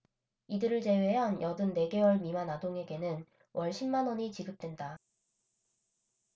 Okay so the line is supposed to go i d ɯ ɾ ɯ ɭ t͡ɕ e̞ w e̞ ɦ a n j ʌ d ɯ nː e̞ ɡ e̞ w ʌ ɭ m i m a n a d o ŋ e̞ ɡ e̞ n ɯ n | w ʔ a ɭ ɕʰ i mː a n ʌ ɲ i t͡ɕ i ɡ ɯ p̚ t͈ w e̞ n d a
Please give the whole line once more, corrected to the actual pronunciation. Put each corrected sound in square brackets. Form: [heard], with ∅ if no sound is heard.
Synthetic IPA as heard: i d ɯ ɾ ɯ ɭ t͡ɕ e̞ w e̞ ɦ a n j ʌ d ɯ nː e̞ ɡ e̞ w ʌ ɭ m i m a n a d o ŋ e̞ ɡ e̞ n ɯ n | w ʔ [ʌ] ɭ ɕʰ i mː a n ʌ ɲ i t͡ɕ i ɡ ɯ p̚ t͈ w e̞ n d a